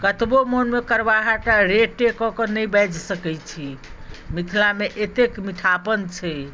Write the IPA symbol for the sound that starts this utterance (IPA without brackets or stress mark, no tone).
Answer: k